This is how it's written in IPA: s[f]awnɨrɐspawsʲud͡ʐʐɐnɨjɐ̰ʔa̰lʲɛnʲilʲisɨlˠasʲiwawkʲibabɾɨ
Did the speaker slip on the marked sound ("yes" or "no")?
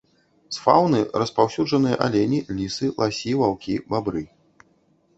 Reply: no